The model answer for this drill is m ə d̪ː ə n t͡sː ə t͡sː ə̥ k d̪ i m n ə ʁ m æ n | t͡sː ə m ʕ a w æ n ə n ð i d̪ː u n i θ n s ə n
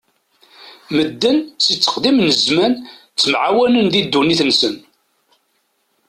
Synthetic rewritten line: m ə d̪ː ə n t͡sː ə t͡sː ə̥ q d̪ i m n ə z m æ n | t͡sː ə m ʕ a w æ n ə n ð i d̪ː u n i θ n s ə n

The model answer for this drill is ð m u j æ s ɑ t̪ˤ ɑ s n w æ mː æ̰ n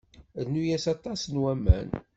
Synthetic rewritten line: ð n u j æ s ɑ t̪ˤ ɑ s n w æ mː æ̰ n

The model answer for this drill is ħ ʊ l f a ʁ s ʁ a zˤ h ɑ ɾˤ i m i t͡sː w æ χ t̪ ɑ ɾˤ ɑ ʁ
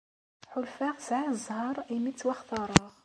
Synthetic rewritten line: ħ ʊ l f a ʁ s ʕ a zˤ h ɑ ɾˤ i m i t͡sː w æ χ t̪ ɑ ɾˤ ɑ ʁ

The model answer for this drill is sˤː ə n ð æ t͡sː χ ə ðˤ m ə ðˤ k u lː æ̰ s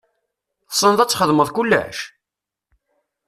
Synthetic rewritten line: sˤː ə n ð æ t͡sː χ ə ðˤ m ə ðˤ k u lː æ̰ ʃ

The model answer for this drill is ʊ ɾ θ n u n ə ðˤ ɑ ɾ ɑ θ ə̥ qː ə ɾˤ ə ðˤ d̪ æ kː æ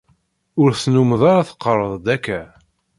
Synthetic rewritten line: ʊ ɾ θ n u m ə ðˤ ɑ ɾ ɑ θ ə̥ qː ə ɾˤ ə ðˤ d̪ æ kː æ

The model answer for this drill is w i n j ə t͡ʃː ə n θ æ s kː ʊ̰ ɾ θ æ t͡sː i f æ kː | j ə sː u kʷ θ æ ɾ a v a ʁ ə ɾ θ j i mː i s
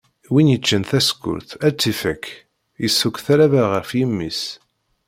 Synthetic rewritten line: w i n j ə t͡ʃː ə n θ æ s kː ʊ̰ ɾ θ æ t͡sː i f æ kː | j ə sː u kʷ θ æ ɾ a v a ʁ ə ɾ f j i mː i s

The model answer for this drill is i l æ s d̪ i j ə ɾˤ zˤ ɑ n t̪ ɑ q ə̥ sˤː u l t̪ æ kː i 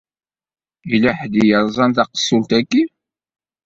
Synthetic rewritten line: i l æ ħ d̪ i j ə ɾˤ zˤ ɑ n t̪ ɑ q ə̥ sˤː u l t̪ æ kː i

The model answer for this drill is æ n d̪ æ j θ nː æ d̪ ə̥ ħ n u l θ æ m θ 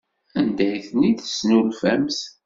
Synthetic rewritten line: æ n d̪ æ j θ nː i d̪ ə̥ s n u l f æ m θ

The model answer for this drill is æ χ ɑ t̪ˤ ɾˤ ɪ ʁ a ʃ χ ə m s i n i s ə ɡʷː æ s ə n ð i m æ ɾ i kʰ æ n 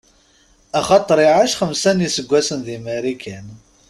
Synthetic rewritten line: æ χ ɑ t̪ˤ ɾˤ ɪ ʕ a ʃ χ ə m s æ n i s ə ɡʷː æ s ə n ð i m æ ɾ i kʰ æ n

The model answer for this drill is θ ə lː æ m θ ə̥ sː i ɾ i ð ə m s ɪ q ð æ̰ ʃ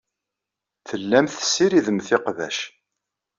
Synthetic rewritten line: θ ə lː æ m θ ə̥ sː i ɾ i ð ə m θ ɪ q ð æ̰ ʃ

